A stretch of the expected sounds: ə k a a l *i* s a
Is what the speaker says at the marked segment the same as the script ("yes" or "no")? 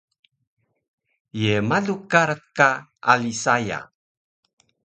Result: yes